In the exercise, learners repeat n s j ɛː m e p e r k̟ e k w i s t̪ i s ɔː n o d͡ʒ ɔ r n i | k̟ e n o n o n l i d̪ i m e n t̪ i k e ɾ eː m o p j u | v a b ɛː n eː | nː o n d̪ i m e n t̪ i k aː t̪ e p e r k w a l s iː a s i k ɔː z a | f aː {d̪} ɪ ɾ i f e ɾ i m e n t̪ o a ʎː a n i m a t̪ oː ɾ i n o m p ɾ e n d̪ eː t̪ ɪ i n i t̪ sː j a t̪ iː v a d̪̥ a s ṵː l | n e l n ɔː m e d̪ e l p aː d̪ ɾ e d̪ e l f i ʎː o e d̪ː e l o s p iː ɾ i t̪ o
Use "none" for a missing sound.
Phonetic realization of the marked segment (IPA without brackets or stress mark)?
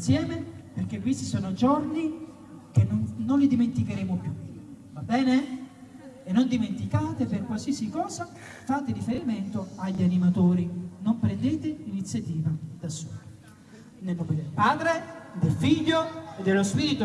t̪